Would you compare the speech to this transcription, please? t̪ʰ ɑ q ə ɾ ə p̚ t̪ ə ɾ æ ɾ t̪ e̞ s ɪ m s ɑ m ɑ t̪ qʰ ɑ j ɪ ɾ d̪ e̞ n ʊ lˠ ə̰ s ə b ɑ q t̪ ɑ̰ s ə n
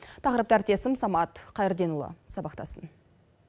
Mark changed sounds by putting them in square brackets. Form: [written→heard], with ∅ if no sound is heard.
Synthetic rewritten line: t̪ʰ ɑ q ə ɾ ə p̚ t̪ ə [ɾ→∅] æ ɾ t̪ e̞ s ɪ m s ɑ m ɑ t̪ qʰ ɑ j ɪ ɾ d̪ e̞ n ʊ lˠ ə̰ s [ə→ɑ] b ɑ q t̪ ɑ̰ s ə n